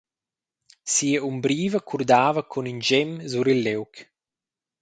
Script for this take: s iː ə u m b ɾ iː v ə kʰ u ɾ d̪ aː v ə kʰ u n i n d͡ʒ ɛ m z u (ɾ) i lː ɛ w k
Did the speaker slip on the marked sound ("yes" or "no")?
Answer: no